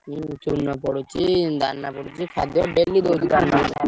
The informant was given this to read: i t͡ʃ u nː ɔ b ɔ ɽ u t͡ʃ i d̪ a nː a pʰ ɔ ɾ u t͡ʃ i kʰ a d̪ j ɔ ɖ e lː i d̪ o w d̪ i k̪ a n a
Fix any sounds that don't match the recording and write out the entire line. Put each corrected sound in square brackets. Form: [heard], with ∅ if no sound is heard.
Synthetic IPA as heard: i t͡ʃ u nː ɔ [p] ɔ ɽ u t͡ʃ i d̪ a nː a [p] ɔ [ɽ] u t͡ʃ i kʰ a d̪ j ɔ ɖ e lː i d̪ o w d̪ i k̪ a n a